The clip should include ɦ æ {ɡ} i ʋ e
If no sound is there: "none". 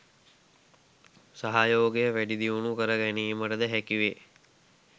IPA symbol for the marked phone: k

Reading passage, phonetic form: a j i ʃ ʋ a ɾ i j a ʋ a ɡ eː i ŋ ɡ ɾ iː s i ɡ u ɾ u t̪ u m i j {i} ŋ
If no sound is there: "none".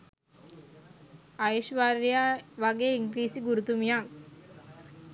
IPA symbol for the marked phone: a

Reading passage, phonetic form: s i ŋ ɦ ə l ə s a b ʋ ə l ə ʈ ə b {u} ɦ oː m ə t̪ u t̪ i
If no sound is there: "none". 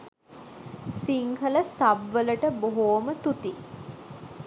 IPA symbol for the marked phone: o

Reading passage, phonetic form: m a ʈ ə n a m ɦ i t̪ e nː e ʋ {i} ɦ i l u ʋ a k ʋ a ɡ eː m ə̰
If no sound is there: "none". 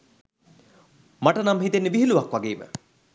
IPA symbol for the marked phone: i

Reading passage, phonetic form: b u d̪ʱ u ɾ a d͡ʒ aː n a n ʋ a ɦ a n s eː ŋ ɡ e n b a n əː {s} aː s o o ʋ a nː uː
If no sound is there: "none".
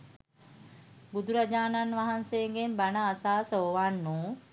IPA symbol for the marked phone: s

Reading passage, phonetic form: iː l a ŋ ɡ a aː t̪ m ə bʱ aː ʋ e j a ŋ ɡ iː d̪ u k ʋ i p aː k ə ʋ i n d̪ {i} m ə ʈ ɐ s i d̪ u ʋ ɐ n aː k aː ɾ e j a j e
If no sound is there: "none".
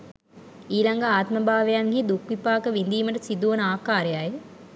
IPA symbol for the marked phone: iː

